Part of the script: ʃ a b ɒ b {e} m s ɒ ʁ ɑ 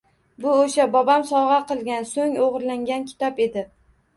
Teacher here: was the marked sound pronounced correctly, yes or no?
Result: no